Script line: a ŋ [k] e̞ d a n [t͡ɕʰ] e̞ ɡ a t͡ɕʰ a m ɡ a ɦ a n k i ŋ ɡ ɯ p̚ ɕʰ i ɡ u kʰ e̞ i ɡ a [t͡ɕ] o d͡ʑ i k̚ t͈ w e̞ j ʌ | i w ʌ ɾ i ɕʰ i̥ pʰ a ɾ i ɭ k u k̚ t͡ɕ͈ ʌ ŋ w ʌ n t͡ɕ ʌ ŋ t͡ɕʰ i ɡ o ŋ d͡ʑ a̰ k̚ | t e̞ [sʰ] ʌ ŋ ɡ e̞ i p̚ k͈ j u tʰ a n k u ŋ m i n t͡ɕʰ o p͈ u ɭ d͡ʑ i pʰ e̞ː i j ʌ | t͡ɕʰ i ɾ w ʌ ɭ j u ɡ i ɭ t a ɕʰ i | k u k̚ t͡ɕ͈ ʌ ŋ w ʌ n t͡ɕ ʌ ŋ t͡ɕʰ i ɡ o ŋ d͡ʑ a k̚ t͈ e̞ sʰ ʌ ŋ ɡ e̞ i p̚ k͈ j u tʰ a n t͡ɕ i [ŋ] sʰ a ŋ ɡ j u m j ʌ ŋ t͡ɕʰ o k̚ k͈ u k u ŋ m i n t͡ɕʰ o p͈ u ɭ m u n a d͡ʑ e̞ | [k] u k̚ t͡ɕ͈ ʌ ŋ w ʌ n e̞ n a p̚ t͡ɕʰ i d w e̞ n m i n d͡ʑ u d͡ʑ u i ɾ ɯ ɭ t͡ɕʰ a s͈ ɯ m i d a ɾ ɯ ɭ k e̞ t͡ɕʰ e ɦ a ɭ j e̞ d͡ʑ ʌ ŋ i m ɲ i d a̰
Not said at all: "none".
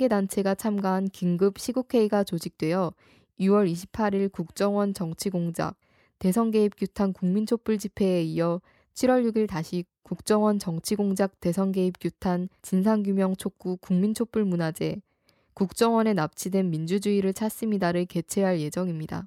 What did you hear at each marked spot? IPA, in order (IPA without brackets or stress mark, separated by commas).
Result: ɡ, t͡ɕʰ, t͡ɕ, sʰ, n, k